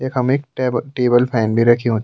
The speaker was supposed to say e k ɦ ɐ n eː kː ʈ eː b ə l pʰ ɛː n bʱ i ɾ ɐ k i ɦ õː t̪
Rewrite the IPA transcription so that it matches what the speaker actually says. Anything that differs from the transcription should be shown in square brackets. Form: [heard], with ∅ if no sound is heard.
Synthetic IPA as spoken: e k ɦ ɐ [m] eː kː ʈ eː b ə l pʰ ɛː n bʱ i ɾ ɐ [kʰ] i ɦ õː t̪